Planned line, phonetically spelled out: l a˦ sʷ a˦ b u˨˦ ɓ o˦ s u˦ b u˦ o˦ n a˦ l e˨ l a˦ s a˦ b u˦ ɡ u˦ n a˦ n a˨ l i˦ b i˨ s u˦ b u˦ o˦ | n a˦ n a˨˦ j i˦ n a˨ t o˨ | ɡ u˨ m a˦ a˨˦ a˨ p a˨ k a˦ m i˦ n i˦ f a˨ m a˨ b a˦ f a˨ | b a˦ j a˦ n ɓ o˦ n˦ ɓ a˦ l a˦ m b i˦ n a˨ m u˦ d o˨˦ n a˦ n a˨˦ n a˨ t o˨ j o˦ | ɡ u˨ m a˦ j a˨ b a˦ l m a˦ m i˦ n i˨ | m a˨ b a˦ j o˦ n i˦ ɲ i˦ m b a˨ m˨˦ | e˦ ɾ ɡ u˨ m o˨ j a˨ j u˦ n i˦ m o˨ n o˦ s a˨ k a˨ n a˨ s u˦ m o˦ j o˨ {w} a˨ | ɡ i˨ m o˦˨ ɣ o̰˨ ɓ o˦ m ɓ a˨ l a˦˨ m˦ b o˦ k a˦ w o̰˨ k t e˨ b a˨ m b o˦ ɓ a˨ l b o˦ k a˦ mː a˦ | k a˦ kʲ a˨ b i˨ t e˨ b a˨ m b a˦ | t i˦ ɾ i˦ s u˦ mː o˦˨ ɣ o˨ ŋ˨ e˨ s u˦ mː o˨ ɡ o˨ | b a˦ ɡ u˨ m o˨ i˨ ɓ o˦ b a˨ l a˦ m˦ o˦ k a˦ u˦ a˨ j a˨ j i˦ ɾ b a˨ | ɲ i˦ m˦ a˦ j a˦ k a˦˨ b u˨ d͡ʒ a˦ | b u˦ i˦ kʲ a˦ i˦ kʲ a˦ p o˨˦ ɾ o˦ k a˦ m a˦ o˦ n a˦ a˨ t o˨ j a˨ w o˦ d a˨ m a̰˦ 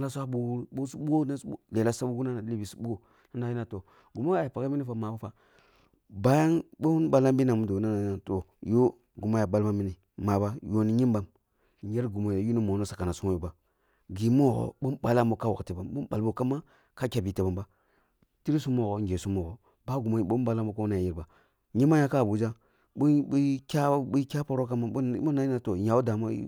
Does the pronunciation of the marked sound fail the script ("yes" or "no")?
yes